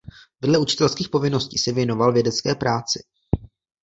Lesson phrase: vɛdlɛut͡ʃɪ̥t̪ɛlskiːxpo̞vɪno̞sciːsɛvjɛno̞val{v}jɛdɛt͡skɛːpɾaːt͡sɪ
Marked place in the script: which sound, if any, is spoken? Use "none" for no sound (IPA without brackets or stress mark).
v